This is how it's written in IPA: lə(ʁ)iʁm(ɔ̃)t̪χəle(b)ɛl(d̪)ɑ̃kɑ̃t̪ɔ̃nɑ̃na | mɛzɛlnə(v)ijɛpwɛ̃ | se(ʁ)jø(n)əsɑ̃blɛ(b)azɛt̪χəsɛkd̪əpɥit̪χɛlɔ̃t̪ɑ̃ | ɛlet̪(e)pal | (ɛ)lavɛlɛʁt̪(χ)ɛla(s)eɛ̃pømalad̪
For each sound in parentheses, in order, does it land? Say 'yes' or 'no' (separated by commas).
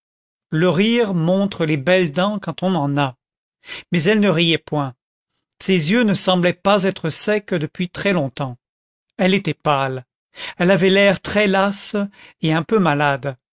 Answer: yes, yes, yes, yes, no, no, yes, no, no, yes, yes, yes